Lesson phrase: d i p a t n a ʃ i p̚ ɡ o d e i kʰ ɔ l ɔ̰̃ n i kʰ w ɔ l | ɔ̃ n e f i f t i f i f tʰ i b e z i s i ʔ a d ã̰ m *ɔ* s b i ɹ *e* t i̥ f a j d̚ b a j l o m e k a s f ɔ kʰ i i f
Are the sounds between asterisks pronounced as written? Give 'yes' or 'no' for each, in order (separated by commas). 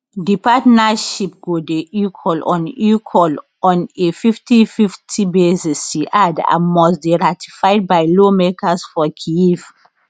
yes, no